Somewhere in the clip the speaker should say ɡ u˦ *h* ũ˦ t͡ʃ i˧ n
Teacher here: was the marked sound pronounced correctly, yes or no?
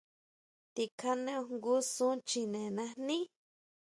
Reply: no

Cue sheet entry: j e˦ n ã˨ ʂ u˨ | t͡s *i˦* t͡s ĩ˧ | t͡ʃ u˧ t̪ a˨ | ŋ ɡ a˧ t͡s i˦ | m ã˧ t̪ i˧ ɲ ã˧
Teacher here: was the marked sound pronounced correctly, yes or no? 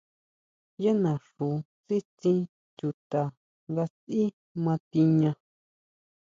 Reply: yes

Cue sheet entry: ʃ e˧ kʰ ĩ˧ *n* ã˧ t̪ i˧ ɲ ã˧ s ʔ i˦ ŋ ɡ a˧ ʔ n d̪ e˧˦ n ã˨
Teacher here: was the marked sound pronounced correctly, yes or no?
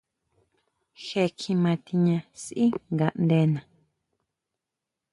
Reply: no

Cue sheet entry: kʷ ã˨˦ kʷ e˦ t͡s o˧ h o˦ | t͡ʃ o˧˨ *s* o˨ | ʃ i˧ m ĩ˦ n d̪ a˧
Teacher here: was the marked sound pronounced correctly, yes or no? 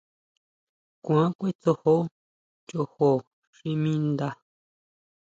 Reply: no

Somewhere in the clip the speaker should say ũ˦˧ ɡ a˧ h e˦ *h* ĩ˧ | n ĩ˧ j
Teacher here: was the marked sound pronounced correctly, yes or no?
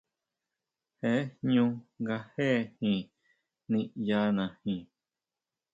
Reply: yes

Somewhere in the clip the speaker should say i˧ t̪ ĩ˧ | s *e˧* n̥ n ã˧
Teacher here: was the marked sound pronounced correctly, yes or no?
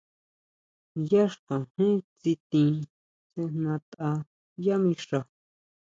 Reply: yes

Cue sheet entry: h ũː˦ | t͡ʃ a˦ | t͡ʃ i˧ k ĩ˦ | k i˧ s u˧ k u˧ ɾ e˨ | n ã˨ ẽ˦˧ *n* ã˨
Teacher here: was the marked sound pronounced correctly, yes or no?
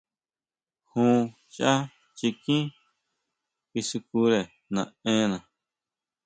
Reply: yes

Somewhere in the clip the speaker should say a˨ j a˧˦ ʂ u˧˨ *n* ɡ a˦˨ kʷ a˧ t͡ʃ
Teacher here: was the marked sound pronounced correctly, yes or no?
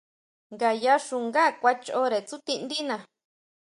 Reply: no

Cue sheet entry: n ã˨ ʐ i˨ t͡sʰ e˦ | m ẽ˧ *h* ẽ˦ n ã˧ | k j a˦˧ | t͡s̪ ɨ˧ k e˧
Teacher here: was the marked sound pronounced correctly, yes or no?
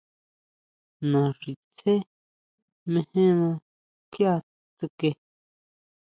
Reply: yes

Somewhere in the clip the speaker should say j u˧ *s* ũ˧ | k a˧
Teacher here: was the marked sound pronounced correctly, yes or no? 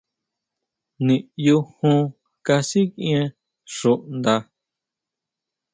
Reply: no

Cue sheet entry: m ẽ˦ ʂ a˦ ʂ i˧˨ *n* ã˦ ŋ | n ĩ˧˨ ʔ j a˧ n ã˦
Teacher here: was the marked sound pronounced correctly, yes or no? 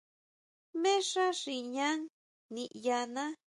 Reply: no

